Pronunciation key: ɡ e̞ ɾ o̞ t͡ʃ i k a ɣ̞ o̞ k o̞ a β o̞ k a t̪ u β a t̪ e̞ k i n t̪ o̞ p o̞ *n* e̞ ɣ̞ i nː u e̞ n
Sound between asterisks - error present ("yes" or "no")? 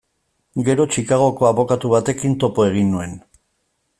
yes